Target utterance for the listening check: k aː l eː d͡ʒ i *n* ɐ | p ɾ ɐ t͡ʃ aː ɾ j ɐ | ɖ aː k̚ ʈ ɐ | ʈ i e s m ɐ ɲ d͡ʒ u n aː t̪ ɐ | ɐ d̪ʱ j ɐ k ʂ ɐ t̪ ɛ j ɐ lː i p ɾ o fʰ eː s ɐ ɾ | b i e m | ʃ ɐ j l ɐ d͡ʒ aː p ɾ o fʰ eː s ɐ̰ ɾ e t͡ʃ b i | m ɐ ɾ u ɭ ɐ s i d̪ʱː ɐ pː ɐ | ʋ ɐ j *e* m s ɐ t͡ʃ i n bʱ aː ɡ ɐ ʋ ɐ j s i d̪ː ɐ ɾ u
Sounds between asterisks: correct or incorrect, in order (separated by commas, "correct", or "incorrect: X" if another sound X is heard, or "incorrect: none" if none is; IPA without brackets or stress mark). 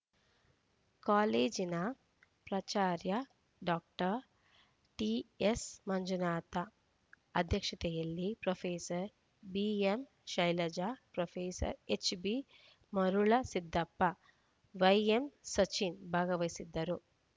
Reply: correct, correct